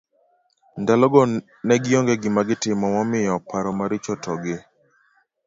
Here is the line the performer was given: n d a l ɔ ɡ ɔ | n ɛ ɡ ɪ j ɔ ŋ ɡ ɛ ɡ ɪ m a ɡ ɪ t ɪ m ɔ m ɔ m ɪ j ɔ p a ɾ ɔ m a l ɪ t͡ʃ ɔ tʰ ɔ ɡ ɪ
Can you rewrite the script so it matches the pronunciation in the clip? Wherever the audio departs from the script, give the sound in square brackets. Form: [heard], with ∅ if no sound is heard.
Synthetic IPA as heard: n d a l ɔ ɡ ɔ | n ɛ ɡ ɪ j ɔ ŋ ɡ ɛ ɡ ɪ m a ɡ ɪ t ɪ m ɔ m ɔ m ɪ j ɔ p a ɾ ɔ m a [ɾ] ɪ t͡ʃ ɔ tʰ ɔ ɡ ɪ